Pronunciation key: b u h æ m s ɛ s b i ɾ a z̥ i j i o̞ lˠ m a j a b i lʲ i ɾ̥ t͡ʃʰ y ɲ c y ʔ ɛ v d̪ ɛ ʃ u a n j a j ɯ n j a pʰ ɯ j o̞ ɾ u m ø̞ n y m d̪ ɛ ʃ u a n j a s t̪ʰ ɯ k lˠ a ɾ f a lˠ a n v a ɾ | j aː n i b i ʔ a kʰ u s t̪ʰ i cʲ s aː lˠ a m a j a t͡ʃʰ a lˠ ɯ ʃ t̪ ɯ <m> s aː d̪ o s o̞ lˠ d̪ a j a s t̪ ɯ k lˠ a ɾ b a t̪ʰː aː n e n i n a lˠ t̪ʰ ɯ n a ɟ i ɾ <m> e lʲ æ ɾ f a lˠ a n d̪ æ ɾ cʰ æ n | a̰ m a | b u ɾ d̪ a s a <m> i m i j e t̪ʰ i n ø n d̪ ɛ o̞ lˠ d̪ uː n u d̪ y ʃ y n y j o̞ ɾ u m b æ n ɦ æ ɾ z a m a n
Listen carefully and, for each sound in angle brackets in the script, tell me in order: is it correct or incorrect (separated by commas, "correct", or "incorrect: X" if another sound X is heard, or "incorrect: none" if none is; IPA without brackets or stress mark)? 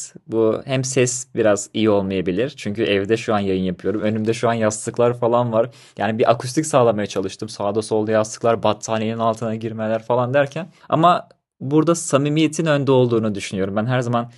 correct, correct, correct